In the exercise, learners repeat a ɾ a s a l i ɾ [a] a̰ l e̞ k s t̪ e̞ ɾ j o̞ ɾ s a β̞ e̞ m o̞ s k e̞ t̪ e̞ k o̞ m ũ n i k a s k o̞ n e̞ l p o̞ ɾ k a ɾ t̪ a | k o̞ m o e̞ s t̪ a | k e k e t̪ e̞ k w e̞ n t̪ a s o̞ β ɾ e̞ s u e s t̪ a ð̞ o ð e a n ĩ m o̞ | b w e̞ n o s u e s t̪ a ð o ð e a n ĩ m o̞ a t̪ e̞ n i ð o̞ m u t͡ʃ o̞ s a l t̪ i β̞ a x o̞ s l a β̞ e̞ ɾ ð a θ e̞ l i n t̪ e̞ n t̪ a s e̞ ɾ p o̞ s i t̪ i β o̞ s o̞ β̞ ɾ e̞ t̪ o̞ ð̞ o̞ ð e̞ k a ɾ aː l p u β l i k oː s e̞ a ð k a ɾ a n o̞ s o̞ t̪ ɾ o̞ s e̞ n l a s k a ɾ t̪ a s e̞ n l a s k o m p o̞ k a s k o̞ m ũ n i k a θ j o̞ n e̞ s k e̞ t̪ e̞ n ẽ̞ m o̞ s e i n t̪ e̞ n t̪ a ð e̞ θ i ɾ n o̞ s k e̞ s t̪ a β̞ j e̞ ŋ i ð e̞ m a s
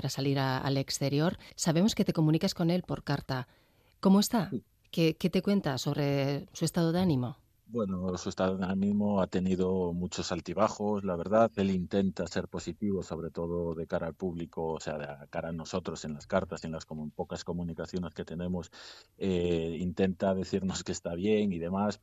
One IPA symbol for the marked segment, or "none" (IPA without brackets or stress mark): a